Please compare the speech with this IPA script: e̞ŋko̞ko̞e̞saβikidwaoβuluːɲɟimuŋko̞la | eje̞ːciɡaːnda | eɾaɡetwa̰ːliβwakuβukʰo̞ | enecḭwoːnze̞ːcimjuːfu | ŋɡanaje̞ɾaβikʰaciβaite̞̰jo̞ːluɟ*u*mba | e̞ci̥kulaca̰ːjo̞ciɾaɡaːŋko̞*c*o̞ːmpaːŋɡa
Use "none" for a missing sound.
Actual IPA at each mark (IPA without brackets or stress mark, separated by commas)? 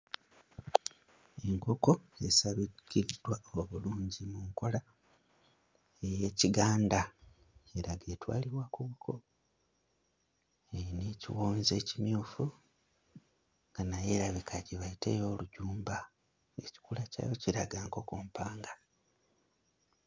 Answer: uː, k